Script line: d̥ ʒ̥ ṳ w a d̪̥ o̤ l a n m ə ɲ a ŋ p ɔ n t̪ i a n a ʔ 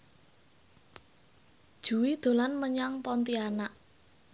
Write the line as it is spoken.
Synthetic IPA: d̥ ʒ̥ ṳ w i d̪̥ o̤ l a n m ə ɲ a ŋ p ɔ n t̪ i a n a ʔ